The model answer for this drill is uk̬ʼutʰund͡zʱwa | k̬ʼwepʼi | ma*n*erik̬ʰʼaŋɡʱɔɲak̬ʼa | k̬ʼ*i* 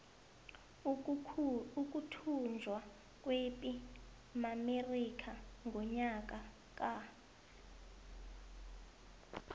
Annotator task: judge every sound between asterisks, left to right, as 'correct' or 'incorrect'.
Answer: incorrect: m, incorrect: a

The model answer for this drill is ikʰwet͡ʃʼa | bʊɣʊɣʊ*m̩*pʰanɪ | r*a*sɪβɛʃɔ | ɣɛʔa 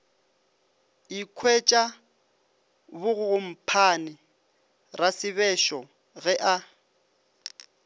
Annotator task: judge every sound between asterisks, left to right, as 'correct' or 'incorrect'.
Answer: correct, correct

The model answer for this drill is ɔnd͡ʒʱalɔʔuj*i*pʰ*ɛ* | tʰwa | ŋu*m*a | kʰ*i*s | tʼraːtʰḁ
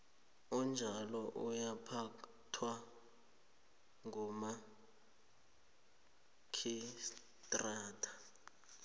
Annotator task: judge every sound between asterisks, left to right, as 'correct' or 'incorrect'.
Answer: incorrect: a, incorrect: a, correct, correct

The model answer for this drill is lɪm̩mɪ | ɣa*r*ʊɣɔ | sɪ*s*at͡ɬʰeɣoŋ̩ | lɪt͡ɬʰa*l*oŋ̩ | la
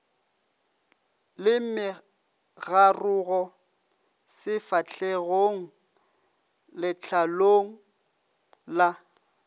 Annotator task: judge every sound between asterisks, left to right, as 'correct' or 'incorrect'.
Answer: correct, incorrect: f, correct

